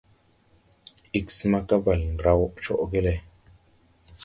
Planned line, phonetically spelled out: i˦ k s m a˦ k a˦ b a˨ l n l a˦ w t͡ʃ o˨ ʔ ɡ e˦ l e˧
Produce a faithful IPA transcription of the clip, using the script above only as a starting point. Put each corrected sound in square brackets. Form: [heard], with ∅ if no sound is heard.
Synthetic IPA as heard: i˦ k s m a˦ k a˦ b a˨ l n [ɾ] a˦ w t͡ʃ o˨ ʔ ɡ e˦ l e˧